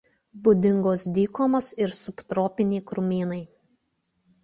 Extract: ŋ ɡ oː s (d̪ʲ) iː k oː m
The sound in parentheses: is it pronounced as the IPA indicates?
yes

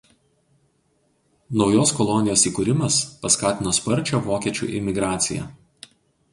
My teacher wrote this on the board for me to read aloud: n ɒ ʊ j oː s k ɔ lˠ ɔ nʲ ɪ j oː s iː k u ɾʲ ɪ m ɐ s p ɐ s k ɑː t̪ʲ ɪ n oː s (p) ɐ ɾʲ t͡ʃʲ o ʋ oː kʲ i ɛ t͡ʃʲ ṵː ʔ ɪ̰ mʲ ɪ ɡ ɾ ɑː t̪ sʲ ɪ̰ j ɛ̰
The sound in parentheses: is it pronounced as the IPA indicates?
yes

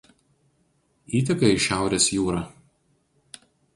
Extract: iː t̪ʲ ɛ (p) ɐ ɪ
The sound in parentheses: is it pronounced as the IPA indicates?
no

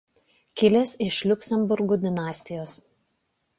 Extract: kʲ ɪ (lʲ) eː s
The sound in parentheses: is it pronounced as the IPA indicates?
yes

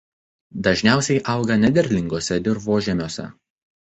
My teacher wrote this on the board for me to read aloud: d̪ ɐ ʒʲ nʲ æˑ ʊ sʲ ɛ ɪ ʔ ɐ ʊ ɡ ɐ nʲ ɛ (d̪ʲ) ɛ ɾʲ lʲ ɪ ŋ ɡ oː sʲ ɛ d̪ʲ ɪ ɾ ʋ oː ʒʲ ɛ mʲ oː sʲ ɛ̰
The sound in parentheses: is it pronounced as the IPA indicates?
yes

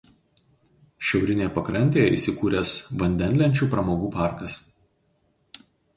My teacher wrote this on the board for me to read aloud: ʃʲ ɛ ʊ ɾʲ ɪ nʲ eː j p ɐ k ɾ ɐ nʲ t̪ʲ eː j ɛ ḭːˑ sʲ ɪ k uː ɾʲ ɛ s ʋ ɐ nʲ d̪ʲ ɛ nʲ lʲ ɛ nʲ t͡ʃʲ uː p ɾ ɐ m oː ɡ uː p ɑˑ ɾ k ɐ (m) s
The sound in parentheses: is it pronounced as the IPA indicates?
no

